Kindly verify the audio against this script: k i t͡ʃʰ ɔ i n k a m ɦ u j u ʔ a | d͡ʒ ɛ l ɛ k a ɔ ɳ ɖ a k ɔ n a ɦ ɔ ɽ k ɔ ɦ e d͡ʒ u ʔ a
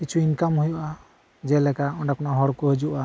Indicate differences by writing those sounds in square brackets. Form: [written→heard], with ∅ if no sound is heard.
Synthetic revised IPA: k i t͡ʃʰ [ɔ→u] i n k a m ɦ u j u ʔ a | d͡ʒ ɛ l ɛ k a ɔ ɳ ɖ a k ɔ n a ɦ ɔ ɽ k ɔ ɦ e d͡ʒ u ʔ a